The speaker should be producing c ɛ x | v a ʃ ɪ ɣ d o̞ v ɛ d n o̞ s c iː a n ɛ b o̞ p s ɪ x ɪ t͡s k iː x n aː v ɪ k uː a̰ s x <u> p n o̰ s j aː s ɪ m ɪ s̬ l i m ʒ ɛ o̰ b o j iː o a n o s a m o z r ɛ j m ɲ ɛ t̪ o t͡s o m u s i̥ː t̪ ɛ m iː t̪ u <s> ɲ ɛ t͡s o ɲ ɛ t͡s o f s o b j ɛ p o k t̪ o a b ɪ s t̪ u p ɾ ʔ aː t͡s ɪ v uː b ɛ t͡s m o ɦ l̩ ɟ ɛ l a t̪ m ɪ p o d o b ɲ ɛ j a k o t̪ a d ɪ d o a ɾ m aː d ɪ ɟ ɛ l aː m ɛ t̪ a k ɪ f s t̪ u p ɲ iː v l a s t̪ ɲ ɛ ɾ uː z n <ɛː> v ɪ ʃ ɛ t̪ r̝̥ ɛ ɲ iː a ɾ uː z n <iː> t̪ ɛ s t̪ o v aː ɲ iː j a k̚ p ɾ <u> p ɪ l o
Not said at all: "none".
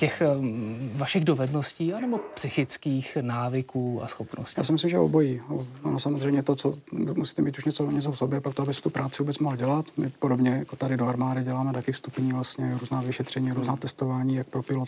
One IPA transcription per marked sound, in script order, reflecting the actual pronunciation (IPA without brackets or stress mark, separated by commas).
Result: o, ʃ, aː, aː, o